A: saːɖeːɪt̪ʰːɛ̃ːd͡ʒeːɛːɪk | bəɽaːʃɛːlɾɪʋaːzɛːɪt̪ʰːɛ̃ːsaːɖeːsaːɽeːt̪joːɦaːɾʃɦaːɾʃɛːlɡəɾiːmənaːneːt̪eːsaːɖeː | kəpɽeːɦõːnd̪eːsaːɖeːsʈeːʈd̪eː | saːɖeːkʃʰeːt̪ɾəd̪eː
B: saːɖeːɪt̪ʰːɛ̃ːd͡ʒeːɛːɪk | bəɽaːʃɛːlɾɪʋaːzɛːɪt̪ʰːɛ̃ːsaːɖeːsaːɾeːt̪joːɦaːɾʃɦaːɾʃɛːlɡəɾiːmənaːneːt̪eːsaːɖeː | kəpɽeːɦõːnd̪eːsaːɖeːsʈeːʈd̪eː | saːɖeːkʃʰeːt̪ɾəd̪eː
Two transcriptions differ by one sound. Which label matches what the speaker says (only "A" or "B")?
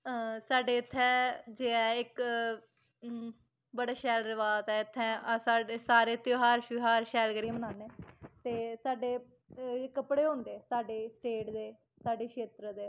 B